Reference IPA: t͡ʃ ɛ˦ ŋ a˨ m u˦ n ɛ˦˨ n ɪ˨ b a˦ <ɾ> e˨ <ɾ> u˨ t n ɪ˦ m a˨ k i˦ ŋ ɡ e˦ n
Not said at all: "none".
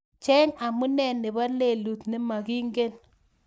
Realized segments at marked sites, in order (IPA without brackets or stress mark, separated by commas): l, l